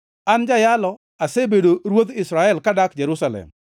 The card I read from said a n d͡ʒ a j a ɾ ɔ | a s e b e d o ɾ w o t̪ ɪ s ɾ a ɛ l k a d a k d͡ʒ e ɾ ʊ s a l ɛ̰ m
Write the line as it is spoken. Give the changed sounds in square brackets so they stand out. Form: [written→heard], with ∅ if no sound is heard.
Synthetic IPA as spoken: a n d͡ʒ a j a [ɾ→l] ɔ | a s e b e d o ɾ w o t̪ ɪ s ɾ a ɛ l k a d a k d͡ʒ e ɾ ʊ s a l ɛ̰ m